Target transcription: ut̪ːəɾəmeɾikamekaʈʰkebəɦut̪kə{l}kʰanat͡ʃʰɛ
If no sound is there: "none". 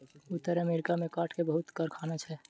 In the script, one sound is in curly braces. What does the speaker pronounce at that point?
ɾ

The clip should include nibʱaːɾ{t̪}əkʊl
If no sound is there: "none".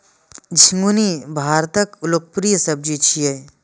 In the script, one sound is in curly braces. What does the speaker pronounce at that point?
t̪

